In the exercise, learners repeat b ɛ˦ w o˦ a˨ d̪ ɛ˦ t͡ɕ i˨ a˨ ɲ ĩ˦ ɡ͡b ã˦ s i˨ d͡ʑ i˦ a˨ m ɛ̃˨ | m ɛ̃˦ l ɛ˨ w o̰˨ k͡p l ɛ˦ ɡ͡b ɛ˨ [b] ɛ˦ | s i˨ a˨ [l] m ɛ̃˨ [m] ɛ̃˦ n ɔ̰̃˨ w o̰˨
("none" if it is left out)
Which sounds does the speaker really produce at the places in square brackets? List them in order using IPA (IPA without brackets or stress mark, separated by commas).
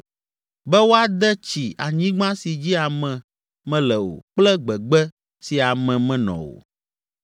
ɡ͡b, none, m